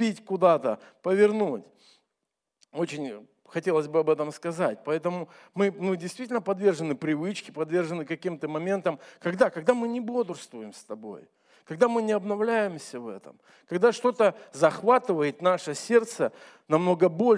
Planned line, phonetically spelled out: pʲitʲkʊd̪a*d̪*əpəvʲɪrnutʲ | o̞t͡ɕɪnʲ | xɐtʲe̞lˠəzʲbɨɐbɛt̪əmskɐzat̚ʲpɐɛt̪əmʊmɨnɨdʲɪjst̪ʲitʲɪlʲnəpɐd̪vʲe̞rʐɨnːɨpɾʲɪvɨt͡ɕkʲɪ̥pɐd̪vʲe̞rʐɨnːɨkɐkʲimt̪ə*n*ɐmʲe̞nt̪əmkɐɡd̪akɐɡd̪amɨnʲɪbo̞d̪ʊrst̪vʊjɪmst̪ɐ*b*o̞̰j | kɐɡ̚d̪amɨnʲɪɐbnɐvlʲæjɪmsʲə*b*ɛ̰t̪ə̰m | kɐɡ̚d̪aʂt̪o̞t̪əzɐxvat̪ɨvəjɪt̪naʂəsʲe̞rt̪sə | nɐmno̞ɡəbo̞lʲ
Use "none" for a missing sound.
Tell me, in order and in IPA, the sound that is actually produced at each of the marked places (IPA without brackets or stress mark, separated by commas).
t̪, m, b, v